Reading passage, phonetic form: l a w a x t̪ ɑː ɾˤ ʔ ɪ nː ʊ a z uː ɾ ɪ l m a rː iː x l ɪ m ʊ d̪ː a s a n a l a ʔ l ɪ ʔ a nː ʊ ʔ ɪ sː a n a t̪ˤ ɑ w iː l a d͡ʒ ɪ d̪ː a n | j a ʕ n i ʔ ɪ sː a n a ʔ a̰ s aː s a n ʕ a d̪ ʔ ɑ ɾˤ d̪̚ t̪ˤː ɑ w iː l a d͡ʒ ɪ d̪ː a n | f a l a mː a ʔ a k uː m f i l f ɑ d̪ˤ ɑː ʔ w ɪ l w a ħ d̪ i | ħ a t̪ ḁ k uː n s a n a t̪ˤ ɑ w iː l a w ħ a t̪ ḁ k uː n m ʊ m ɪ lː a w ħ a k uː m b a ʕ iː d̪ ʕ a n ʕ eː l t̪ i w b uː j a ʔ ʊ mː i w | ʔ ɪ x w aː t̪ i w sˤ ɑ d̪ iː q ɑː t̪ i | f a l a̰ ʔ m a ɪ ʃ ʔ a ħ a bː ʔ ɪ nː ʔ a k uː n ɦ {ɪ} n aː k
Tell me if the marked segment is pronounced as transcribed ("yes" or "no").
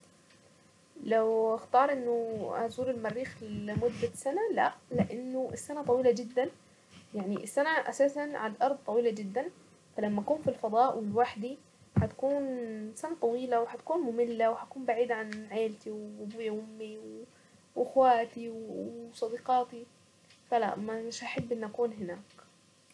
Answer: yes